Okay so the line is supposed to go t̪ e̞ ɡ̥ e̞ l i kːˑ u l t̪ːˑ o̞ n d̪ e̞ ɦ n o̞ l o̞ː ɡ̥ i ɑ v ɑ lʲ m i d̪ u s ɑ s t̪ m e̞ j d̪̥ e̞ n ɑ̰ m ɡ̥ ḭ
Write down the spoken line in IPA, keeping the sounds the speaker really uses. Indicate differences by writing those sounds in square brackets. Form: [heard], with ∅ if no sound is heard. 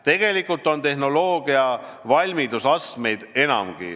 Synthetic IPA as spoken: t̪ e̞ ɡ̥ e̞ l i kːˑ u l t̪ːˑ o̞ n [t̪] e̞ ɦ n o̞ l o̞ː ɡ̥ i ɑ v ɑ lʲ m i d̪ u s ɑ s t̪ m e̞ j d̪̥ e̞ n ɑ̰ m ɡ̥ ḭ